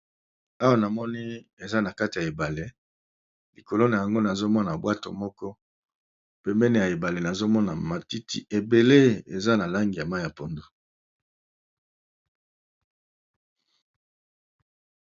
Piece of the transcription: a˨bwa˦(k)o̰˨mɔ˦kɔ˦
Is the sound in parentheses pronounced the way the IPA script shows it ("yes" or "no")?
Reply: no